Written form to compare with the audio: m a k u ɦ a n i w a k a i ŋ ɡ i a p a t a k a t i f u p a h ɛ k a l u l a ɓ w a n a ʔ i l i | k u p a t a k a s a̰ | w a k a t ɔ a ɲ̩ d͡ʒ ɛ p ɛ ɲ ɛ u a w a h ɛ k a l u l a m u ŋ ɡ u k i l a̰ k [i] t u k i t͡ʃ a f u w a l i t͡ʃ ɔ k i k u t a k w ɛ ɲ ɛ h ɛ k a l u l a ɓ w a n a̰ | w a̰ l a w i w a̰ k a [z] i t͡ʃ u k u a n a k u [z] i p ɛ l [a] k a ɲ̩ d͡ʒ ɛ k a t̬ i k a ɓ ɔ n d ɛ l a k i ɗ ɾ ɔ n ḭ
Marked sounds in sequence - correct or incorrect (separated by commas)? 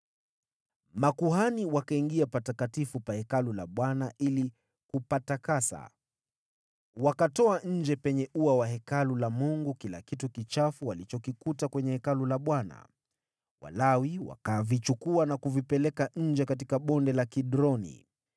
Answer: correct, incorrect, incorrect, incorrect